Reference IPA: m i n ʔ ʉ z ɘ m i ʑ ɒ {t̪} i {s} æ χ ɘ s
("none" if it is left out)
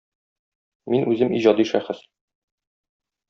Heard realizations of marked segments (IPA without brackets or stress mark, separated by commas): d̪, ʃ